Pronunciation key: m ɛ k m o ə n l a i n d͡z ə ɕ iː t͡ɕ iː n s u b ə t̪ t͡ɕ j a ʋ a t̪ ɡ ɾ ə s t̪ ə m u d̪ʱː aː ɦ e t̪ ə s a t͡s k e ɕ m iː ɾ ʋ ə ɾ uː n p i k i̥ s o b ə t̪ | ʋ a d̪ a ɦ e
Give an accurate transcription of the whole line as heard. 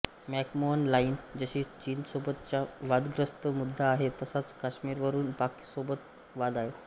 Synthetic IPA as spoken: m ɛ k m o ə n l a i n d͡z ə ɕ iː t͡ɕ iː n s o b ə t̪ t͡ɕ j a ʋ a d̪ ɡ ɾ ə s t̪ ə m u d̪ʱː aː ɦ e t̪ ə s a t͡s k a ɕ m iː ɾ ʋ ə ɾ uː n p a k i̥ s o b ə t̪ | ʋ a d̪ a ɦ e